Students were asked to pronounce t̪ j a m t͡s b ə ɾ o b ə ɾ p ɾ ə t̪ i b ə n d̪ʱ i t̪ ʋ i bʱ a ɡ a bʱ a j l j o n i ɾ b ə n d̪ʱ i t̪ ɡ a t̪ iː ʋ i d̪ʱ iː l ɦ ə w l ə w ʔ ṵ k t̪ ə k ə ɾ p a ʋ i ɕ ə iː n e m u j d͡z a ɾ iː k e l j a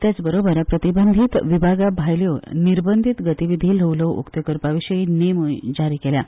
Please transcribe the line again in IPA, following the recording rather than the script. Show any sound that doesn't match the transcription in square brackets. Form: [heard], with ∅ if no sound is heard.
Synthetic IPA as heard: t̪ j a [∅] t͡s b ə ɾ o b ə ɾ p ɾ ə t̪ i b ə n d̪ʱ i t̪ ʋ i bʱ a ɡ a bʱ a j l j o n i ɾ b ə n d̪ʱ i t̪ ɡ [ə] t̪ [i] ʋ i d̪ʱ iː l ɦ ə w l ə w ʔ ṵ k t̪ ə k ə ɾ p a ʋ i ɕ ə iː n e m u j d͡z a ɾ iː k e l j a